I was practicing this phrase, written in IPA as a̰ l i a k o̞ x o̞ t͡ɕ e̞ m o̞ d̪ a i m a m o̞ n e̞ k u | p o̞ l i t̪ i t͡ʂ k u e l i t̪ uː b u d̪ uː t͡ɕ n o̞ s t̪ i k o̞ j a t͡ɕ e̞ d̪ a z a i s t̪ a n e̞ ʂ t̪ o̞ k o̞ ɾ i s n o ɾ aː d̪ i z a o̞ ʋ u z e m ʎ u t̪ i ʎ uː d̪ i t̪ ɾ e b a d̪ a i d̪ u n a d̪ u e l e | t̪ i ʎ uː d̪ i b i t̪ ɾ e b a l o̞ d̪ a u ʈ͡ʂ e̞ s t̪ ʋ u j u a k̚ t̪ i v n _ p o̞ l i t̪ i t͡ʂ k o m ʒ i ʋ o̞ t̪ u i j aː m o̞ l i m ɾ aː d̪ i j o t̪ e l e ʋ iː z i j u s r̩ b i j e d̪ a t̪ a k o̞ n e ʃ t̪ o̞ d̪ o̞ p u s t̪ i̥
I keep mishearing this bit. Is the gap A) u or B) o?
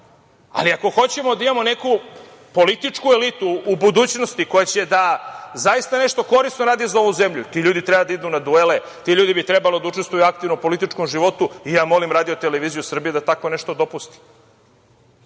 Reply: B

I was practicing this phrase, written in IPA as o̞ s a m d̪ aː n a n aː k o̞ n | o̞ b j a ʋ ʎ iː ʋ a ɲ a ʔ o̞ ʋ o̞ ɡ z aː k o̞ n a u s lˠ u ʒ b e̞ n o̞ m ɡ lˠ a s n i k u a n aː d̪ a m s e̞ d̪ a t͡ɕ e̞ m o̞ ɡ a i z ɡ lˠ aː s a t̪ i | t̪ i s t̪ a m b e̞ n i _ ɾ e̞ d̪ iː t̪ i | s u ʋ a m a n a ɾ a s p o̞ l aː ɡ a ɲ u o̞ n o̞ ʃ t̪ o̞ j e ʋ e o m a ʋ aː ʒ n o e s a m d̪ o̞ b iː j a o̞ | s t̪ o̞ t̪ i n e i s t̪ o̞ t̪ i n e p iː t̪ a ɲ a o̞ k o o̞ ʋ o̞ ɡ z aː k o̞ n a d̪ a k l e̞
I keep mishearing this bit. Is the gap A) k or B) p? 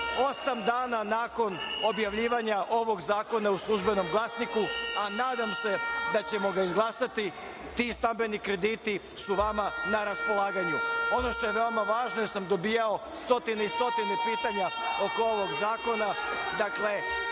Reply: A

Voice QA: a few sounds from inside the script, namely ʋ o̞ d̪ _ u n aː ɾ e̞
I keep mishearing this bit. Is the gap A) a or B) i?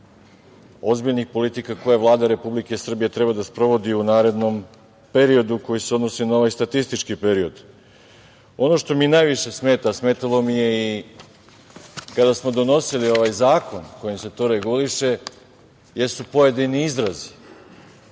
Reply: B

